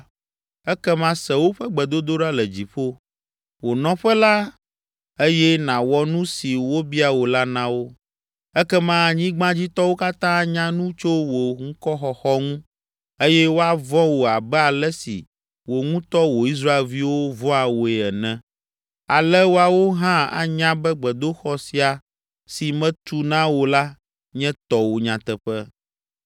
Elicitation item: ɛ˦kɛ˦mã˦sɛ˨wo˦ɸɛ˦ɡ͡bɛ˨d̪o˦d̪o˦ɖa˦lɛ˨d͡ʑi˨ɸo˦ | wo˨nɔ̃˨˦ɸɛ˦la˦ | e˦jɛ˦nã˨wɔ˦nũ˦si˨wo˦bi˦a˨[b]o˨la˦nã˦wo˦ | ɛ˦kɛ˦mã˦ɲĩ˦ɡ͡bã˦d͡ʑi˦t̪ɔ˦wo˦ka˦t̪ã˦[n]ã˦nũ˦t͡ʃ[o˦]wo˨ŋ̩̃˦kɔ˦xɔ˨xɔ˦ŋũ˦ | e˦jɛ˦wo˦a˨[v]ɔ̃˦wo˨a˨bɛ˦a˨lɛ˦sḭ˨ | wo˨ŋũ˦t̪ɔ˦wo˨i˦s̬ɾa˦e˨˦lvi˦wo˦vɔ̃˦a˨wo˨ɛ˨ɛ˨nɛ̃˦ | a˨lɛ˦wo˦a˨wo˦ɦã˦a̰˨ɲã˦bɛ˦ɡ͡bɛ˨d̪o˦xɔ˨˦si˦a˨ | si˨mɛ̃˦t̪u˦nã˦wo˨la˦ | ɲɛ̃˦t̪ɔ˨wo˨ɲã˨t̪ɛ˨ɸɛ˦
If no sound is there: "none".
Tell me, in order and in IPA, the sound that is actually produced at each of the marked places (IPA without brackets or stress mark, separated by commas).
w, ɲ, o˦, v